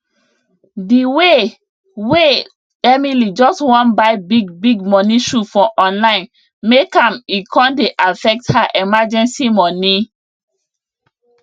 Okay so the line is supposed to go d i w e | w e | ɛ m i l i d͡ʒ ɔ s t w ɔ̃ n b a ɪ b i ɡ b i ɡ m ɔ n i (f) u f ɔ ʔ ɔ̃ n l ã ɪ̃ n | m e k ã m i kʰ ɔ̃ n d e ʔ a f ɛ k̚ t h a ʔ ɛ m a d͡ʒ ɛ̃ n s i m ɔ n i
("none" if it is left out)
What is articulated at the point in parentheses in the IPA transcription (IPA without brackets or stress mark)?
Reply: ʃ